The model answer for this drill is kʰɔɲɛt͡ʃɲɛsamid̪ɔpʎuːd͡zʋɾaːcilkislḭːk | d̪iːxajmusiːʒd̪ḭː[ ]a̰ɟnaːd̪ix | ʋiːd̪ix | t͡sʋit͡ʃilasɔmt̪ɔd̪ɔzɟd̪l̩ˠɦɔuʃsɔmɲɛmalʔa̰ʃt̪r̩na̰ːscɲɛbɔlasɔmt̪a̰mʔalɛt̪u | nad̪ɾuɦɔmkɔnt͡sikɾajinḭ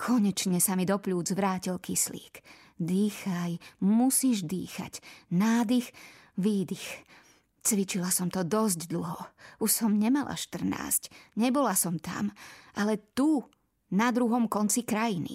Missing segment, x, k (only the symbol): x